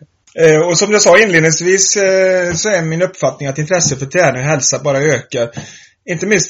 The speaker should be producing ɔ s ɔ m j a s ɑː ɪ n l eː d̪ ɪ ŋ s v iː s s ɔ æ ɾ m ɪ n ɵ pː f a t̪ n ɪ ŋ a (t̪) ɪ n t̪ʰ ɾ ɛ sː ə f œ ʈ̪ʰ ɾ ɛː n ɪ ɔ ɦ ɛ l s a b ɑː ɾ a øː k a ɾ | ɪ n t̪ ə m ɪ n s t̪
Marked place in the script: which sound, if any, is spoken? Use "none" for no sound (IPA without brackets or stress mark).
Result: t̪